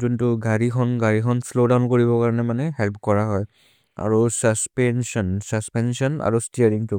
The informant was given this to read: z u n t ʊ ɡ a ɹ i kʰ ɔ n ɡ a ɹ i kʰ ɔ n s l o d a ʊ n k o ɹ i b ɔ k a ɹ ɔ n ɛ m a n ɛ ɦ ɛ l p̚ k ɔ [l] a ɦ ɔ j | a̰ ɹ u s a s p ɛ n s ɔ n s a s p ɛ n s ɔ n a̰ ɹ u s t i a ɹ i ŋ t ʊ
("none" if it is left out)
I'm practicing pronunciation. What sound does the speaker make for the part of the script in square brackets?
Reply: ɹ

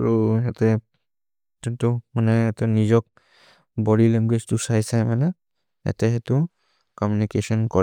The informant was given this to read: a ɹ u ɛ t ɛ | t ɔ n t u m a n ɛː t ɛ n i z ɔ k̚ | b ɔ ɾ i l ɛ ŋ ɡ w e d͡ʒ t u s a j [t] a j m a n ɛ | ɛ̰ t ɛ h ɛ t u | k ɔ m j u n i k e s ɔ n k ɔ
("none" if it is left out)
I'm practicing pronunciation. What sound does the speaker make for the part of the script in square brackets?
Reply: s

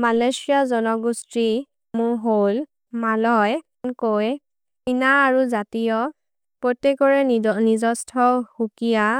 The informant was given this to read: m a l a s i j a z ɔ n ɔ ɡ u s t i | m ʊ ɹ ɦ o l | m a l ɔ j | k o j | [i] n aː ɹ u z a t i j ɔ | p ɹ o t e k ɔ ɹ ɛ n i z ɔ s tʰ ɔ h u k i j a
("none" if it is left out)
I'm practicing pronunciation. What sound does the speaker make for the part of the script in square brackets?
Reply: i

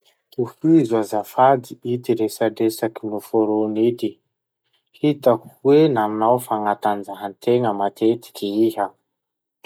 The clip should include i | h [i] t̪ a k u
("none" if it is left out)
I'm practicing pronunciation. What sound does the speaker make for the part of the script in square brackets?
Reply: i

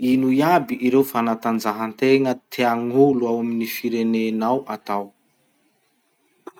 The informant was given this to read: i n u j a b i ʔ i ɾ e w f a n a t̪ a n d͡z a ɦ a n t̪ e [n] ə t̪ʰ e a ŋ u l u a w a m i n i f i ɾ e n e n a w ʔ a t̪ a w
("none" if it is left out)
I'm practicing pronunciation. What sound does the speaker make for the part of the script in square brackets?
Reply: ŋ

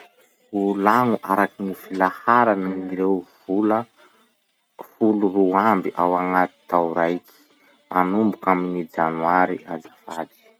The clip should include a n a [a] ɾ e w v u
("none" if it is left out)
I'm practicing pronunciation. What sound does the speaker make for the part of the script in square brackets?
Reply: i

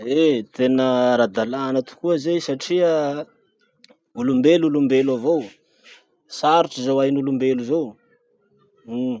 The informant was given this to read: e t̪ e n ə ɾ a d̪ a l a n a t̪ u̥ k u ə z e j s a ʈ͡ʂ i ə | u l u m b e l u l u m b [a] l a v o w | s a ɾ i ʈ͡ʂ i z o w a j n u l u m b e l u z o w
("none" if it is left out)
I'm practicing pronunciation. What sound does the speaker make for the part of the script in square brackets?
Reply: e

